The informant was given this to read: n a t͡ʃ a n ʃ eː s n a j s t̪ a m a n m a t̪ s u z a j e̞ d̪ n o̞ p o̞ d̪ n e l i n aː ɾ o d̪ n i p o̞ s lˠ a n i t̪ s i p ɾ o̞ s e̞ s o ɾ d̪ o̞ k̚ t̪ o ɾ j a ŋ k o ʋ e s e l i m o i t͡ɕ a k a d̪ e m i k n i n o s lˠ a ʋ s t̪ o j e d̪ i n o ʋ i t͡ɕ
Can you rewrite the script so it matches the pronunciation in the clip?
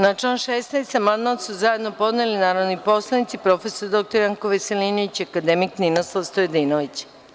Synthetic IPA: n a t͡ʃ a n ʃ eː s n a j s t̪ a m a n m a t̪ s u z a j e̞ d̪ n o̞ p o̞ d̪ n e l i n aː ɾ o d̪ n i p o̞ s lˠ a n i t̪ s i p ɾ o̞ f e̞ s o ɾ d̪ o̞ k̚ t̪ o ɾ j a ŋ k o ʋ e s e l i n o i t͡ɕ a k a d̪ e m i k n i n o s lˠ a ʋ s t̪ o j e d̪ i n o ʋ i t͡ɕ